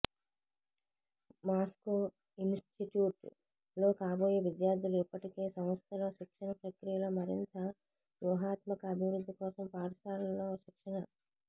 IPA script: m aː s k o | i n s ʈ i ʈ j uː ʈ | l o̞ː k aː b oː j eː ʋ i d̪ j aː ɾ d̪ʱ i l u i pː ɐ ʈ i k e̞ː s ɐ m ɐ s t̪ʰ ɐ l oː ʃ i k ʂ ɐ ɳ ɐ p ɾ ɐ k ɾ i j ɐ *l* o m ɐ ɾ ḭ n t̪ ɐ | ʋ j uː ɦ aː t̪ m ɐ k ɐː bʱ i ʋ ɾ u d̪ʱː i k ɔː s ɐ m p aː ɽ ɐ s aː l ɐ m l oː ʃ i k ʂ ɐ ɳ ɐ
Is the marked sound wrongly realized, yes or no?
no